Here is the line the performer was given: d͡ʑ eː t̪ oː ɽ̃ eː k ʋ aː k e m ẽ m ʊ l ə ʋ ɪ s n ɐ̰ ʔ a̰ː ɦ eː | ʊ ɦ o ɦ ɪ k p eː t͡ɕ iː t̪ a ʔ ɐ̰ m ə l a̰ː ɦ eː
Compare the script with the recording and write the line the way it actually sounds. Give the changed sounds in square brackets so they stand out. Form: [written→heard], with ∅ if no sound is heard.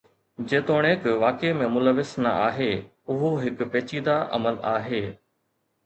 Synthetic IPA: d͡ʑ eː t̪ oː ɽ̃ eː k ʋ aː k e m ẽ m ʊ l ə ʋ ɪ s n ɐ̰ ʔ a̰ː ɦ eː | ʊ ɦ o ɦ ɪ k p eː t͡ɕ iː [t̪→d̪] a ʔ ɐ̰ m ə l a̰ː ɦ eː